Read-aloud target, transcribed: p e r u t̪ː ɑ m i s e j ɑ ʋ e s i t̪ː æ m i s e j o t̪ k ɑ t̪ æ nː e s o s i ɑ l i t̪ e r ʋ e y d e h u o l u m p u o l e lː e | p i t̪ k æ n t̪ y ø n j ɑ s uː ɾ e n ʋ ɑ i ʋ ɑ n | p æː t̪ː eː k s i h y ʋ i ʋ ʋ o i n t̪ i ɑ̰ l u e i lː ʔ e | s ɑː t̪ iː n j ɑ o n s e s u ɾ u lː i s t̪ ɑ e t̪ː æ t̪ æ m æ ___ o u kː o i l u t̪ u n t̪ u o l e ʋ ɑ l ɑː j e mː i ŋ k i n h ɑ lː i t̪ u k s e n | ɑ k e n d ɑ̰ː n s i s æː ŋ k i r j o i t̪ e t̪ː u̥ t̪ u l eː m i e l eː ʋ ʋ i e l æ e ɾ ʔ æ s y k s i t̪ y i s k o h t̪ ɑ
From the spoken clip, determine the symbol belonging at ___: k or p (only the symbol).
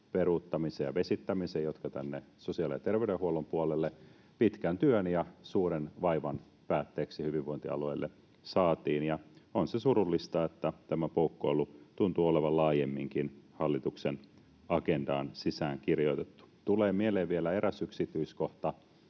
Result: p